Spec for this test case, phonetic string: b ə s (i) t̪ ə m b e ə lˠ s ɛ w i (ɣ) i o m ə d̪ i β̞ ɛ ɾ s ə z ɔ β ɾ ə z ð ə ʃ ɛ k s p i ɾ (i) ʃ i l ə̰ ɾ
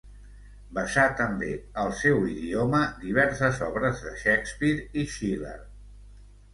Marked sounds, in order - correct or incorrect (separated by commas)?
incorrect, incorrect, correct